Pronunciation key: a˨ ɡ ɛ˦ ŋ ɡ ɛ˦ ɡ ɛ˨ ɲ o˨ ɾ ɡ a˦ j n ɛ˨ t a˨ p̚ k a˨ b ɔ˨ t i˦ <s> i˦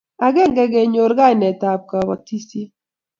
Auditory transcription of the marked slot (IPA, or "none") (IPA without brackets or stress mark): s